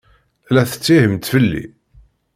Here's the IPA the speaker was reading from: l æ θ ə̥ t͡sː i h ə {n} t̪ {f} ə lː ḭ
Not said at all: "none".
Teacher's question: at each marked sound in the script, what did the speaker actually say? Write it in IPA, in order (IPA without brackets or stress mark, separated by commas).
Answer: m, f